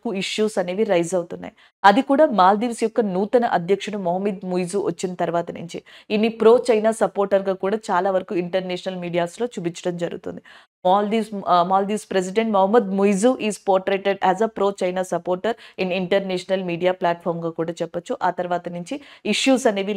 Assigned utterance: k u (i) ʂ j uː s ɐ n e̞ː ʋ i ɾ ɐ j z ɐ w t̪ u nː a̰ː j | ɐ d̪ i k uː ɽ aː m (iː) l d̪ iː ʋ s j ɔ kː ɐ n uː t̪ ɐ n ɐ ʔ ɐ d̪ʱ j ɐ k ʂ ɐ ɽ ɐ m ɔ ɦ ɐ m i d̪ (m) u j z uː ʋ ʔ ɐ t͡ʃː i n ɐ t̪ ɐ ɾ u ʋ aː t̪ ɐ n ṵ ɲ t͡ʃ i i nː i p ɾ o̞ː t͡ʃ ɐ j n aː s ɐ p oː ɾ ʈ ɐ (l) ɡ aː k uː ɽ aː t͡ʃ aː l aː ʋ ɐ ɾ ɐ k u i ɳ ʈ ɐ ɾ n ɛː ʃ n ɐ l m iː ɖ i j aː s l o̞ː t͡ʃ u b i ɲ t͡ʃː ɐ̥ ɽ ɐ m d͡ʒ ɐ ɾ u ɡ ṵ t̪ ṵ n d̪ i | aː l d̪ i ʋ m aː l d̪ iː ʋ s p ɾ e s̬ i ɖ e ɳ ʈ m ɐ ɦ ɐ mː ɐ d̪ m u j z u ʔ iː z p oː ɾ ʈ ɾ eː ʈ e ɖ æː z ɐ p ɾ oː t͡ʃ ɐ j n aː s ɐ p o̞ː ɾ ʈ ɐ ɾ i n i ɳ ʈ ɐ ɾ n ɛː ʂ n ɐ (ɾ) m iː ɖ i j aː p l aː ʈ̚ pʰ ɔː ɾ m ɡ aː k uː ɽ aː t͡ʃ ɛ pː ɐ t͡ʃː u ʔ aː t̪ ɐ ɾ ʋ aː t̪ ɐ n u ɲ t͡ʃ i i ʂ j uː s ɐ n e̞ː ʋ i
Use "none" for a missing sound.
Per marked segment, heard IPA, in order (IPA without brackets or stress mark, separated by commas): i, aː, m, ɾ, l